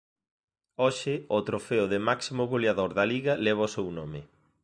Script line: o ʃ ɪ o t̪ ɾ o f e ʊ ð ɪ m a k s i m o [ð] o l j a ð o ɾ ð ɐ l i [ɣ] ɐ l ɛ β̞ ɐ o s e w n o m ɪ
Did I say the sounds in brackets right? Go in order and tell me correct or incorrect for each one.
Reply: incorrect: ɣ, correct

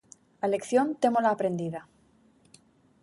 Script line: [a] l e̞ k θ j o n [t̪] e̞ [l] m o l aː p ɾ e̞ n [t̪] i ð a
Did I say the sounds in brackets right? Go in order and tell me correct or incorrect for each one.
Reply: correct, correct, incorrect: none, incorrect: d̪

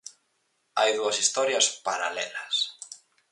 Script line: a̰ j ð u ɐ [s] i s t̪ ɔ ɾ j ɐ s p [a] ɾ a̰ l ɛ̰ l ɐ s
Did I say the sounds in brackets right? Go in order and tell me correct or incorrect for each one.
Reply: correct, correct

